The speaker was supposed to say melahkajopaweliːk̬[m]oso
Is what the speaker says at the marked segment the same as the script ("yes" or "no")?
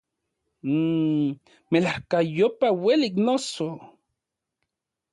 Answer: no